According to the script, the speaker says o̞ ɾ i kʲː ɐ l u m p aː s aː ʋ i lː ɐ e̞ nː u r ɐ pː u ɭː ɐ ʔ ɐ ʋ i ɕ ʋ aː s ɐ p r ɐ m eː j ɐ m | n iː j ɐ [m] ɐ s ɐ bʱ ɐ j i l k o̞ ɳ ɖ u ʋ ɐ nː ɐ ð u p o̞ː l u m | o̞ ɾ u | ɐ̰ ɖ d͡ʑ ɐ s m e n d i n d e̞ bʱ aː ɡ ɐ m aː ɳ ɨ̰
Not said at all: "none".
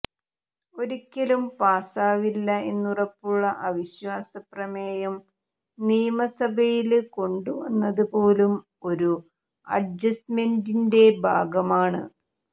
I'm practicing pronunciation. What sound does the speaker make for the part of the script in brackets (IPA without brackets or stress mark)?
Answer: m